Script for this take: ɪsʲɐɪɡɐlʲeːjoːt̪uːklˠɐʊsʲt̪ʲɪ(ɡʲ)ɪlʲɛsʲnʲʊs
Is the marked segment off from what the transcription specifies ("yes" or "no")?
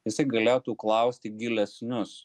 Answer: no